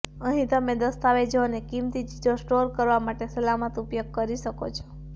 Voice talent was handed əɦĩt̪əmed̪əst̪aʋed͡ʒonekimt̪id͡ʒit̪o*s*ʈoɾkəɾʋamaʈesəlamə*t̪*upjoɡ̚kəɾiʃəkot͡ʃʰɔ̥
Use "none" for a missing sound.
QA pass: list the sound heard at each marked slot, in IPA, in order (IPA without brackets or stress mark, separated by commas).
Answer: s, t̪